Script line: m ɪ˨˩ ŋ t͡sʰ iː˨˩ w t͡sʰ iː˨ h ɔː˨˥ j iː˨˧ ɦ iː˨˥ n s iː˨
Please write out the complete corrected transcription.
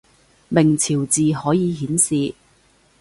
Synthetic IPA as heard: m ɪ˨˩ ŋ t͡sʰ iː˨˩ w t͡s iː˨ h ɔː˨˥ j iː˨˧ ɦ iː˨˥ n s iː˨